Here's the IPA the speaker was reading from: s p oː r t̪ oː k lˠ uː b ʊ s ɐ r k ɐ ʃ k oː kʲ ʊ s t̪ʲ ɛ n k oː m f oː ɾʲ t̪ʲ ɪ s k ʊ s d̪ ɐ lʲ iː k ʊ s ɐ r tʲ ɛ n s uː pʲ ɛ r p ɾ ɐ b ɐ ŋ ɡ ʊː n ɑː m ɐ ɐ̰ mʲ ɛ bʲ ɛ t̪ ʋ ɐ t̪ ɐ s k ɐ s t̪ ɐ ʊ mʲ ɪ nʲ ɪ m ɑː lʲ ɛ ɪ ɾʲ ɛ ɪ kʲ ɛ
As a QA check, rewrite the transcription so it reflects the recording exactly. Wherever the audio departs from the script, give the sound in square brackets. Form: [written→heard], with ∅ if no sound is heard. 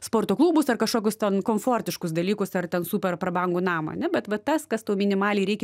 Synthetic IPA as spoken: s p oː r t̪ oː k lˠ uː b ʊ s ɐ r k ɐ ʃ k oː kʲ ʊ s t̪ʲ ɛ n k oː m f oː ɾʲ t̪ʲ ɪ [s→ʃ] k ʊ s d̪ ɐ lʲ iː k ʊ s ɐ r tʲ ɛ n s uː pʲ ɛ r p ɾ ɐ b ɐ ŋ ɡ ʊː n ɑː m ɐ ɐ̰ [mʲ→nʲ] ɛ bʲ ɛ t̪ ʋ ɐ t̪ ɐ s k ɐ s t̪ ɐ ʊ mʲ ɪ nʲ ɪ m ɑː lʲ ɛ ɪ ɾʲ ɛ ɪ kʲ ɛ

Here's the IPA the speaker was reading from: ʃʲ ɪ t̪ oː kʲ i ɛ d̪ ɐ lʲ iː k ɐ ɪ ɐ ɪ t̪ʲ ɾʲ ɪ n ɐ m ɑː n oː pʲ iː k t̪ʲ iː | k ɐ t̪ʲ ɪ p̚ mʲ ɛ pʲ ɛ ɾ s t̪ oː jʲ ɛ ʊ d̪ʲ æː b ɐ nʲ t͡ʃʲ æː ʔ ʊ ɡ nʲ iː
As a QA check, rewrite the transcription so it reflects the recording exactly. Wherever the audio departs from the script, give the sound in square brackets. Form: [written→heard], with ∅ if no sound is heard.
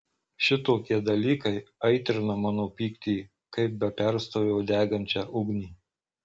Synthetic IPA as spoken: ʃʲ ɪ t̪ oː kʲ i ɛ d̪ ɐ lʲ iː k ɐ ɪ ɐ ɪ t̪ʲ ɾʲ ɪ n ɐ m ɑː n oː pʲ iː k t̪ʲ iː | k ɐ [t̪ʲ→∅] ɪ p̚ [mʲ→bʲ] ɛ pʲ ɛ ɾ s t̪ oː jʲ ɛ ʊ d̪ʲ æː [b→ɡ] ɐ nʲ t͡ʃʲ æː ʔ ʊ ɡ nʲ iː

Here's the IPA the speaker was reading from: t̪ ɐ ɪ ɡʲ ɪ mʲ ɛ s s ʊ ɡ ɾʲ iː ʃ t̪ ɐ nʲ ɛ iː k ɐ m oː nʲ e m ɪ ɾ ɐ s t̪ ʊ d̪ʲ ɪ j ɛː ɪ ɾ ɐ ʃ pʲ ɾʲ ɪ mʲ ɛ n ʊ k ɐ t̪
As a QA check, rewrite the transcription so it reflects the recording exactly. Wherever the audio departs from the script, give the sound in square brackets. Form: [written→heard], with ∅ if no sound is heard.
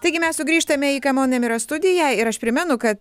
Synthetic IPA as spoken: t̪ ɐ ɪ ɡʲ ɪ mʲ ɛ s s ʊ ɡ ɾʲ iː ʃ t̪ ɐ [nʲ→mʲ] ɛ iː k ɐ m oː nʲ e m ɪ ɾ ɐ s t̪ ʊ d̪ʲ ɪ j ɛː ɪ ɾ ɐ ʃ pʲ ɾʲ ɪ mʲ ɛ n ʊ k ɐ t̪

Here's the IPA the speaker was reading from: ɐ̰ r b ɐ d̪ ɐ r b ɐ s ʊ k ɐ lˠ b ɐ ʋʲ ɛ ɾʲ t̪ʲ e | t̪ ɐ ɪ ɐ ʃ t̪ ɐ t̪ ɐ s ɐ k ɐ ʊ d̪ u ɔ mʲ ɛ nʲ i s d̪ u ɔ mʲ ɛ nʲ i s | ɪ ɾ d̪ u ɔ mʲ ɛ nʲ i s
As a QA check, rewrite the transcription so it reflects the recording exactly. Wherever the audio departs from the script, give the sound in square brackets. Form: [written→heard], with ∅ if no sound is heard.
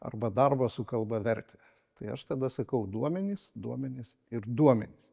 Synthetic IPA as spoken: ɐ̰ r b ɐ d̪ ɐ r b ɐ s ʊ k ɐ lˠ b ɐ ʋʲ ɛ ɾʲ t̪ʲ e | t̪ ɐ ɪ ɐ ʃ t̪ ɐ [t̪→d̪] ɐ s ɐ k ɐ ʊ d̪ u ɔ mʲ ɛ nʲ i s d̪ u ɔ mʲ ɛ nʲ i s | ɪ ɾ d̪ u ɔ mʲ ɛ nʲ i s

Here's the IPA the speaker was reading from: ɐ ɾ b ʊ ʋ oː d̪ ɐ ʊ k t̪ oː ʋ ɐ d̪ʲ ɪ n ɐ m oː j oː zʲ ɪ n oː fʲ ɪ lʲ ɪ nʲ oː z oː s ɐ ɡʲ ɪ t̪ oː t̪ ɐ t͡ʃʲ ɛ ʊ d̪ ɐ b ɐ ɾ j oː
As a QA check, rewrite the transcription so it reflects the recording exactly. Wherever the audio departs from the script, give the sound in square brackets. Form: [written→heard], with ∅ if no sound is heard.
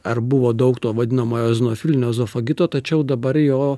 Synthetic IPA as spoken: ɐ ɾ b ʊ ʋ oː d̪ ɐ ʊ k t̪ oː ʋ ɐ d̪ʲ ɪ n ɐ m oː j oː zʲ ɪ n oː fʲ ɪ lʲ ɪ nʲ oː z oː [s→f] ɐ ɡʲ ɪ t̪ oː t̪ ɐ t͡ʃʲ ɛ ʊ d̪ ɐ b ɐ ɾ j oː

